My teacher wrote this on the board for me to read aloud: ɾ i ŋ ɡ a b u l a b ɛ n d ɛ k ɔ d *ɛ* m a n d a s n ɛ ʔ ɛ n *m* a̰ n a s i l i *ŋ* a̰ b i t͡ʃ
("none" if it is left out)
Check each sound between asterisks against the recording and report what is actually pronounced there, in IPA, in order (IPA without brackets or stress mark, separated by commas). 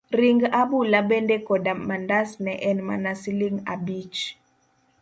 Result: a, m, ŋ